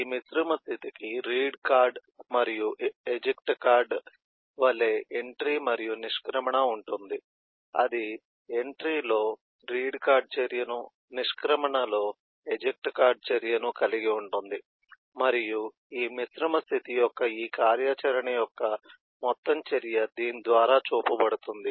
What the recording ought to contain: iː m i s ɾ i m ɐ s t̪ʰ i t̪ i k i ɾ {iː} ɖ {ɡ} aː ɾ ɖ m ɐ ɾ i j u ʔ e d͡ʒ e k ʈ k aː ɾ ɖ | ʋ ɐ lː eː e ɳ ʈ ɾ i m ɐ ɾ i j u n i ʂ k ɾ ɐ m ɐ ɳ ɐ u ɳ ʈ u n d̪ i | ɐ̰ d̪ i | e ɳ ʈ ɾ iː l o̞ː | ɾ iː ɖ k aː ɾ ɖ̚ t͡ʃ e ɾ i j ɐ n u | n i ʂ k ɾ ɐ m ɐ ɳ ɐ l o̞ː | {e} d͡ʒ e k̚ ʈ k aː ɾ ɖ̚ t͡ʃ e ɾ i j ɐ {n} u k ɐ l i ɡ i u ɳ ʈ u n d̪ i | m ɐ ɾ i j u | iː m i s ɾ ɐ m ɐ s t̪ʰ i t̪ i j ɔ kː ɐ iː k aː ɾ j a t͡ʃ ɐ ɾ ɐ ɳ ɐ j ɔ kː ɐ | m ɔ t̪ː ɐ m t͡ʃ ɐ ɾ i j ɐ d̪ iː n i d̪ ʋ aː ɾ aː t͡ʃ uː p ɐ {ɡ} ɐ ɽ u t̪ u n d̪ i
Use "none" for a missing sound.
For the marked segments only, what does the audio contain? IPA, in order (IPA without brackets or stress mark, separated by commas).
iː, k, e, n, b